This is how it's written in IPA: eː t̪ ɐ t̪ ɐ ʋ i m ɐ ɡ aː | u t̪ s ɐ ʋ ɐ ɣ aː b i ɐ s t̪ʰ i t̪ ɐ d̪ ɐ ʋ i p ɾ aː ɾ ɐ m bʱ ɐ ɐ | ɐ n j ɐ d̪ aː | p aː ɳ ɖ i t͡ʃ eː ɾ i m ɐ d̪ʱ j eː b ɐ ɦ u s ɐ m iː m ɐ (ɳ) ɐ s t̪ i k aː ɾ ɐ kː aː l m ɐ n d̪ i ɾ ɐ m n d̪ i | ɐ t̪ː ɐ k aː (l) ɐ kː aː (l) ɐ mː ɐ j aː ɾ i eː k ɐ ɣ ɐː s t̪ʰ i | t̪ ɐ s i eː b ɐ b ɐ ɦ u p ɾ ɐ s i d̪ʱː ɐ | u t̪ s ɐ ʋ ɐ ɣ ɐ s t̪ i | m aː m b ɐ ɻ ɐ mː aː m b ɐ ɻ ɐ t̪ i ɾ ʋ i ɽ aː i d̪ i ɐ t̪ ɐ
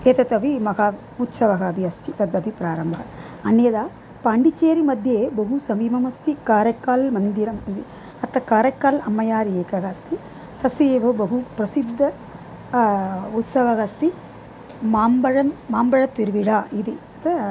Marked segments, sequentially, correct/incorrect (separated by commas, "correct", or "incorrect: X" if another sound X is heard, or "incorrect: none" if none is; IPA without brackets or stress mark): incorrect: m, incorrect: ɾ, correct